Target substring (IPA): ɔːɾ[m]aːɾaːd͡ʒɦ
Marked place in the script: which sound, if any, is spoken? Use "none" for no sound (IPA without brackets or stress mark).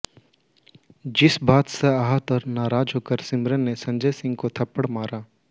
n